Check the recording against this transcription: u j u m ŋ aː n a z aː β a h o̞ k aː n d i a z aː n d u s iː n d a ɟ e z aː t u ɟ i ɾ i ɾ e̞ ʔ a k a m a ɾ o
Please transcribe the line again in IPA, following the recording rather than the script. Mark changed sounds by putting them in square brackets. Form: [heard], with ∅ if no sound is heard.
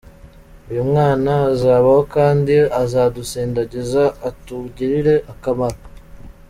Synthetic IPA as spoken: u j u m ŋ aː n a z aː β a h o̞ k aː n d i a z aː [∅] d u s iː n d a ɟ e z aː t u ɟ i ɾ i ɾ e̞ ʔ a k a m a ɾ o